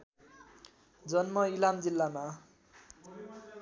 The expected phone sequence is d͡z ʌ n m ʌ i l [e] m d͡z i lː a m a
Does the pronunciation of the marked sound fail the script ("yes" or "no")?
yes